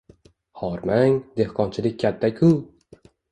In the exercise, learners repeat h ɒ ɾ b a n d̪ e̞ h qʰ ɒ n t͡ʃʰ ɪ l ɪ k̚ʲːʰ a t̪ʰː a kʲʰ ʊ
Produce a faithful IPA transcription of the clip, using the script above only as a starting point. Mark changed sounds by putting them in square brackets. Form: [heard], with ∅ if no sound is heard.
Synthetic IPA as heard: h ɒ ɾ [m] a [ŋ] d̪ e̞ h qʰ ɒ n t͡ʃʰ ɪ l ɪ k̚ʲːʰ a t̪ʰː a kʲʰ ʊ